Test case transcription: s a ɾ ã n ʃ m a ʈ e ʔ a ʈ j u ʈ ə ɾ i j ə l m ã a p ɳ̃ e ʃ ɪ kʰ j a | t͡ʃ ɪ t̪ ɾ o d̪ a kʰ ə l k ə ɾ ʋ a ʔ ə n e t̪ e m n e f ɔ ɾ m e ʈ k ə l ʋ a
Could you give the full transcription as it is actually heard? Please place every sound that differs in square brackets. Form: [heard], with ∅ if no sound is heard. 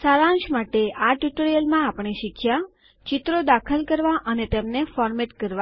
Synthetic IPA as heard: s a ɾ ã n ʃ m a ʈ e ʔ a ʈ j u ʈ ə ɾ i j ə l m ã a p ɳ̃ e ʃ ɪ kʰ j a | t͡ʃ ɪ t̪ ɾ o d̪ a kʰ ə l k ə ɾ ʋ a ʔ ə n e t̪ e m n e f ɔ ɾ m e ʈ k ə [ɾ] ʋ a